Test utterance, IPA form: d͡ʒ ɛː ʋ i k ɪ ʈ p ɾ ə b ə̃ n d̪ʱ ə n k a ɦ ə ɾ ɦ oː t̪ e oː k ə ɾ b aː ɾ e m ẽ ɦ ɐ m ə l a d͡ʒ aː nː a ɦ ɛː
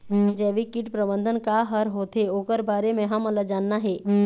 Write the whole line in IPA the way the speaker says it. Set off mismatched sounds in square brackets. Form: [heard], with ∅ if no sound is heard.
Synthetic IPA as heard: d͡ʒ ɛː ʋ i k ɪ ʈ p ɾ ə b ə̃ n d̪ʱ ə n k a ɦ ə ɾ ɦ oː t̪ e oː k ə ɾ b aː ɾ e m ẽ ɦ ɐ m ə l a d͡ʒ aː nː a ɦ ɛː

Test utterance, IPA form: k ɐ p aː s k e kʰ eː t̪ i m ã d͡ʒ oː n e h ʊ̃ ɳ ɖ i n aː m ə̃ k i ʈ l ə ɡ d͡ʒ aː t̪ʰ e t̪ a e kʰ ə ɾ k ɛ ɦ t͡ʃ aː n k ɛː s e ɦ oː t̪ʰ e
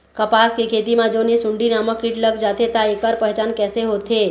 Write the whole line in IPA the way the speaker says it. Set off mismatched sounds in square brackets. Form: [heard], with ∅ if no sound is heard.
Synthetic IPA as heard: k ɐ p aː s k e kʰ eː t̪ i m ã d͡ʒ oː n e [s] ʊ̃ ɳ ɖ i n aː m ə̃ k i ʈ l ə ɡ d͡ʒ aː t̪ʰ e t̪ a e [k] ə ɾ [p] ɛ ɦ t͡ʃ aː n k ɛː s e ɦ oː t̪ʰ e

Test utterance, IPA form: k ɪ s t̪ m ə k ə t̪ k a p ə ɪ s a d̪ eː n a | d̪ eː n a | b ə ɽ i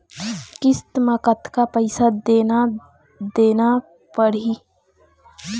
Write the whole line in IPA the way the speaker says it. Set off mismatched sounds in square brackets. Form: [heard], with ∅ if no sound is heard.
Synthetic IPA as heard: k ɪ s t̪ m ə k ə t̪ k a p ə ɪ s a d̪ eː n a | d̪ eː n a | [p] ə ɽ i

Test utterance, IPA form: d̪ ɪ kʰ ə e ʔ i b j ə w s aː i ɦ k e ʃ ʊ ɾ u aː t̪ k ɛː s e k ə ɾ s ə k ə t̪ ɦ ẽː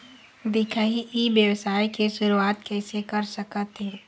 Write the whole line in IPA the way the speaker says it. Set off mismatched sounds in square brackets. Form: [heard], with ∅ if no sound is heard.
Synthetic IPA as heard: d̪ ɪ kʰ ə [i] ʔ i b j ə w s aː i [∅] k e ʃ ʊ ɾ u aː t̪ k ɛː s e k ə ɾ s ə k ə t̪ ɦ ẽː

